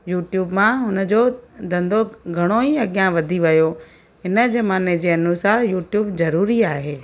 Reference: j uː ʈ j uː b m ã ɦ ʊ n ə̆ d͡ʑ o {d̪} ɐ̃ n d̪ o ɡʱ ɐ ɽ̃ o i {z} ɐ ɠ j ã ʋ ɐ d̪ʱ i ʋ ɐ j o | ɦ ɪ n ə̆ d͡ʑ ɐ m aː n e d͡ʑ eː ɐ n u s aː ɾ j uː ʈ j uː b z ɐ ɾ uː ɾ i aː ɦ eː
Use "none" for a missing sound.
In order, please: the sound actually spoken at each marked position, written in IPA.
d̪, none

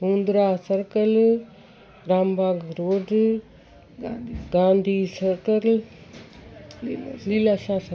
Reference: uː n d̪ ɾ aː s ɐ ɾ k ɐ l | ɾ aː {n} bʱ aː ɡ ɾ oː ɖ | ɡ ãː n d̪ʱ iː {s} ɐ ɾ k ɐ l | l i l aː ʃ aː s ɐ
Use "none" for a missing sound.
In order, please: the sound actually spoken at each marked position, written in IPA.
m, s

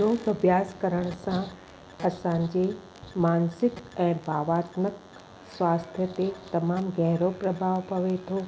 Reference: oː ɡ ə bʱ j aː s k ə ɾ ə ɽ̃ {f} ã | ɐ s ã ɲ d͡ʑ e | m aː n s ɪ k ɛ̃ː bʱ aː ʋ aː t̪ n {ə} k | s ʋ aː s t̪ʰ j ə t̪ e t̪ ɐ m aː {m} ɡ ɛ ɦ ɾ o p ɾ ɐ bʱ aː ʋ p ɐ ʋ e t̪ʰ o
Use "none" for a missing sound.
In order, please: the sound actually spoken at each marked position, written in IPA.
s, ə, m

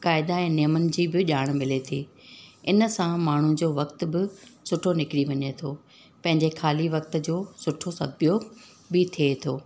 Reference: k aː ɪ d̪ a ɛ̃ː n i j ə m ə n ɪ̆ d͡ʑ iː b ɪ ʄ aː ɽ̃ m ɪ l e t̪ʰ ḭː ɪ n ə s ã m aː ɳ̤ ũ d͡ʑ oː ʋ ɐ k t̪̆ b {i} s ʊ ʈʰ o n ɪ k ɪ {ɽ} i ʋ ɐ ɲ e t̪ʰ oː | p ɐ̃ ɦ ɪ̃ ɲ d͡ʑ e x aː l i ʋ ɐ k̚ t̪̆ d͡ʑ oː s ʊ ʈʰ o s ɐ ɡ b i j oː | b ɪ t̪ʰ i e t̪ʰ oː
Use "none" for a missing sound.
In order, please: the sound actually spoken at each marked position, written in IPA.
ɪ, ɽ

